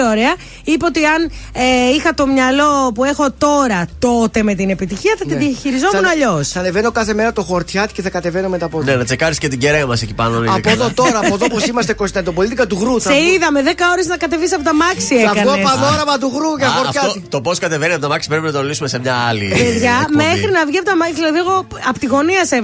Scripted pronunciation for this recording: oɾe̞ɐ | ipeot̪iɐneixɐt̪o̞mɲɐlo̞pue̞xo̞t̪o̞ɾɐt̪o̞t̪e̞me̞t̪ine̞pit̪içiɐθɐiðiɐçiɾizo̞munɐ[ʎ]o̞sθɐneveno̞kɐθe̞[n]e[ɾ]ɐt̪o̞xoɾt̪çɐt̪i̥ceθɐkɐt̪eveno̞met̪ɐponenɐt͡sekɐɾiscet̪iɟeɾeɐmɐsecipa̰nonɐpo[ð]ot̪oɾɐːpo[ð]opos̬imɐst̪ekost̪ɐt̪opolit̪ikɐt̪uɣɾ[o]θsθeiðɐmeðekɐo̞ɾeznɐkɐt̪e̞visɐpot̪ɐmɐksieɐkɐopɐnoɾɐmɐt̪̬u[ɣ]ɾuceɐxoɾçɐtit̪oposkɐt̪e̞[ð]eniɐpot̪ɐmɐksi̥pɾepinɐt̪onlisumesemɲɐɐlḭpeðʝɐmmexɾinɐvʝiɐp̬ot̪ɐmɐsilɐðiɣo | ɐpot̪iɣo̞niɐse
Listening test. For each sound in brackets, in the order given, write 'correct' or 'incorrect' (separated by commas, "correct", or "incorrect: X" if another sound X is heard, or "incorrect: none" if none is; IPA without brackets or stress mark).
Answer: correct, incorrect: m, correct, correct, correct, incorrect: u, correct, incorrect: v